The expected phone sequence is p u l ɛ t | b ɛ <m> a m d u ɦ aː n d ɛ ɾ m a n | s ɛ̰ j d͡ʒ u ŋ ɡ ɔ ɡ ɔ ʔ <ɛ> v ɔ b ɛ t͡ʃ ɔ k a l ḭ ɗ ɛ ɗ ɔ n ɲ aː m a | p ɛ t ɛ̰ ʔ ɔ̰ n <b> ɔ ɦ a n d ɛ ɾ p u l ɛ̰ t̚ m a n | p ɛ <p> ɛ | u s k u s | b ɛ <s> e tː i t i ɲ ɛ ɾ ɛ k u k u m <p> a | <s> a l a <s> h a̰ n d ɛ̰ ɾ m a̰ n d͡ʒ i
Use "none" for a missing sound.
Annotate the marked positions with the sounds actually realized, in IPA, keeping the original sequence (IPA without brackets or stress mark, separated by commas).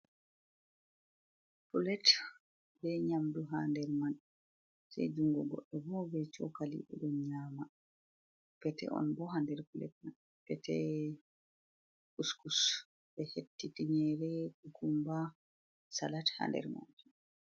ɲ, ɛ, b, t, h, b, s, t